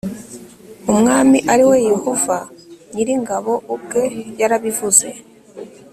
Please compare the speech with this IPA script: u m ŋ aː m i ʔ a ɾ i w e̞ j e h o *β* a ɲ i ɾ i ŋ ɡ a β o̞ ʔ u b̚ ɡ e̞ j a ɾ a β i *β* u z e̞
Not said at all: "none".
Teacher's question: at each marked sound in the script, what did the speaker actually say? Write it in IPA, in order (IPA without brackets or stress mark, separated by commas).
v, v